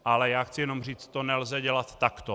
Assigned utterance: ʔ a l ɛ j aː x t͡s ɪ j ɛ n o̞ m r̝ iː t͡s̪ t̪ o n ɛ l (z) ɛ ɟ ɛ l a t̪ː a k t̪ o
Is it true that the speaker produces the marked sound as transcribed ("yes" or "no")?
yes